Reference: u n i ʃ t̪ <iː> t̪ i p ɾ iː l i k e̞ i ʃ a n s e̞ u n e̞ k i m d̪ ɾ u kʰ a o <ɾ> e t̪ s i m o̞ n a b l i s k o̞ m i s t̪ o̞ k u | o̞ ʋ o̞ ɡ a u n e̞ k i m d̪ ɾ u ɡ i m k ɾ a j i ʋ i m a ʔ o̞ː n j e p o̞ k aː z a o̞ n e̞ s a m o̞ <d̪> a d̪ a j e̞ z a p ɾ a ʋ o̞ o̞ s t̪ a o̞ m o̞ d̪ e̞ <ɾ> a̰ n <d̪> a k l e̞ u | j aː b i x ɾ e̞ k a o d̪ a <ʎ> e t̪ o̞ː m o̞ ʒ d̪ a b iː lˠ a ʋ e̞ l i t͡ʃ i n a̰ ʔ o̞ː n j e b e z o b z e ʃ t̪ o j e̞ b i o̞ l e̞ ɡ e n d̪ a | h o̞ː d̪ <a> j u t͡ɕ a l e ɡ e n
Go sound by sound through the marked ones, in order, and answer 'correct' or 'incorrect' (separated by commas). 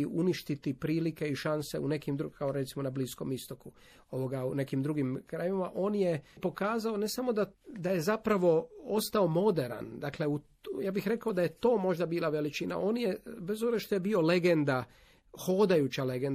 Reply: incorrect, correct, correct, correct, correct, incorrect, correct